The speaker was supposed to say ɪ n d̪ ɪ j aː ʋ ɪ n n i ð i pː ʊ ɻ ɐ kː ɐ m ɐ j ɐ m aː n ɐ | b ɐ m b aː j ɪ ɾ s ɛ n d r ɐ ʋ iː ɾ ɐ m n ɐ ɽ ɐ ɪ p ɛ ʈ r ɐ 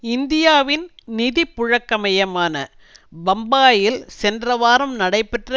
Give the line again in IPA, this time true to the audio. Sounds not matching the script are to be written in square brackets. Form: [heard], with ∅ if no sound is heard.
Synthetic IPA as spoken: ɪ n d̪ ɪ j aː ʋ ɪ n n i ð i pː ʊ ɻ ɐ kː ɐ m ɐ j ɐ m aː n ɐ | b ɐ m b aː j ɪ [l] s ɛ n d r ɐ ʋ [aː] ɾ ɐ m n ɐ ɽ ɐ ɪ p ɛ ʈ r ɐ